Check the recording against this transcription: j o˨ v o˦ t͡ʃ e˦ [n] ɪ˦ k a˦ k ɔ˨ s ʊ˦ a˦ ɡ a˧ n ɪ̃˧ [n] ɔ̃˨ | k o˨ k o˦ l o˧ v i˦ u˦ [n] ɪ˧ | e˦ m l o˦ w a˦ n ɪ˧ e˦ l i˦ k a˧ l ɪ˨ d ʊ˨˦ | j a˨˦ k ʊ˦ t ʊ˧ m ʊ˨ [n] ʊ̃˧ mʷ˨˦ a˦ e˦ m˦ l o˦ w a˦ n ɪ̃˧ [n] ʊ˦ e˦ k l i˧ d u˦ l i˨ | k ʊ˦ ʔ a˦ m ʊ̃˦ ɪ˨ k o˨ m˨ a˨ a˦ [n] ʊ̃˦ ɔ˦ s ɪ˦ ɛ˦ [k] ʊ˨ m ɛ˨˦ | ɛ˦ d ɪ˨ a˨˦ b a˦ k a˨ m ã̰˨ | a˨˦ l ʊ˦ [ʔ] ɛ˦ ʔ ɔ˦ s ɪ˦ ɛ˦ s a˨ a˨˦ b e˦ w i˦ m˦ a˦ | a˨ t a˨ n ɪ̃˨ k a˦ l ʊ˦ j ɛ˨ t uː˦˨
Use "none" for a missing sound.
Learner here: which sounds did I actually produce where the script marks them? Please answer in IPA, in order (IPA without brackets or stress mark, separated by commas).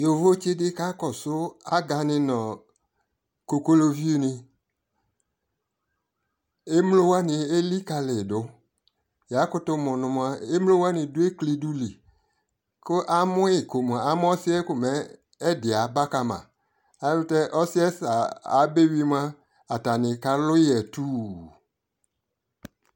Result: d, n, n, n, d, m, k, t